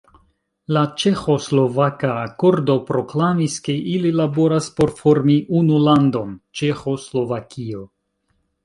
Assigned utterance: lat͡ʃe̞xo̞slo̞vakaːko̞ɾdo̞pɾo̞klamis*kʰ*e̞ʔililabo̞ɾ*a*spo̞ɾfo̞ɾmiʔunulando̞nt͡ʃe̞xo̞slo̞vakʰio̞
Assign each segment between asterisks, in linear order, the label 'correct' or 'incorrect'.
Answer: incorrect: k, correct

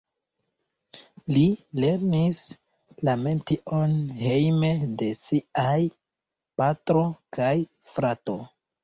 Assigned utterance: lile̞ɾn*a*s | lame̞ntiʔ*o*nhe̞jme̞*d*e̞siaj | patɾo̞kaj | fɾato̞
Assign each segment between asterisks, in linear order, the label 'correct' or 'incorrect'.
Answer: incorrect: i, correct, correct

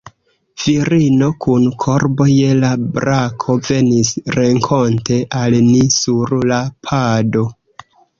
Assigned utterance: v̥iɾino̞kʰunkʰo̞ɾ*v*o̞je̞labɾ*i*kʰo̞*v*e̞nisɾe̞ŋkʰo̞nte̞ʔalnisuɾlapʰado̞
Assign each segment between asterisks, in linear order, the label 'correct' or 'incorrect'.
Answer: incorrect: b, incorrect: a, correct

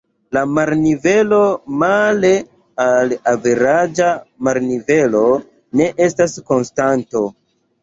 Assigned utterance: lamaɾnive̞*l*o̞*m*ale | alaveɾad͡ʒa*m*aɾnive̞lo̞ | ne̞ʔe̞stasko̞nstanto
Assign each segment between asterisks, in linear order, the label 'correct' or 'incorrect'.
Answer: correct, correct, correct

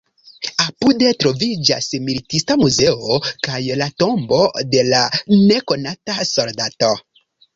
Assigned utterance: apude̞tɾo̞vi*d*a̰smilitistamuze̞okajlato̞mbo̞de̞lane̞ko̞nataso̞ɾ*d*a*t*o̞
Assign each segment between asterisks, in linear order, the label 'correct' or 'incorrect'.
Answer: incorrect: d͡ʒ, correct, correct

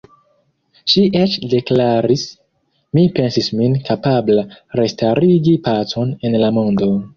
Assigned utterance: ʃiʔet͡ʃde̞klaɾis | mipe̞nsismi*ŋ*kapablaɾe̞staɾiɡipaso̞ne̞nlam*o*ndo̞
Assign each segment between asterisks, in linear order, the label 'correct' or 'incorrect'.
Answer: incorrect: n, correct

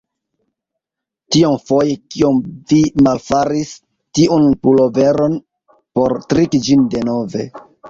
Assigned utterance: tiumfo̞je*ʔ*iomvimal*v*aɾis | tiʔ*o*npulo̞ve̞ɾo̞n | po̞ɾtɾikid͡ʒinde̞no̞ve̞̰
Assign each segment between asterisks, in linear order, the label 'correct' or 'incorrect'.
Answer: incorrect: k, incorrect: f, incorrect: u

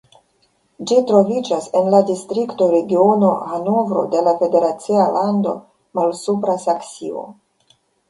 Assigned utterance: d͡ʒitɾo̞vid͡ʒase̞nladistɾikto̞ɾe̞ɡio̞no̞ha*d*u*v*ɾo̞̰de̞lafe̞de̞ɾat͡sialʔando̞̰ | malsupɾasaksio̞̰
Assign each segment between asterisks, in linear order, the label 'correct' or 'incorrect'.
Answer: incorrect: n, correct

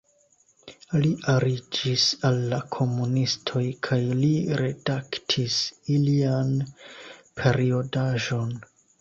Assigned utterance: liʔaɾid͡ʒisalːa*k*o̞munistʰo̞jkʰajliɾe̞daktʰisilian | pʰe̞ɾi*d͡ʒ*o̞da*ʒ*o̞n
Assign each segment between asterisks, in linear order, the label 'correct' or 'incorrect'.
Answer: incorrect: kʰ, incorrect: none, correct

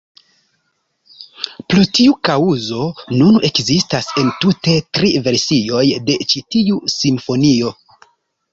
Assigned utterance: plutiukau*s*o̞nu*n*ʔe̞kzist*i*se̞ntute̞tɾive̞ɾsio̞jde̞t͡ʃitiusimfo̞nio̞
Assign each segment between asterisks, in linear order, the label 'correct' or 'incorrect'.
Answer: incorrect: z, correct, incorrect: a

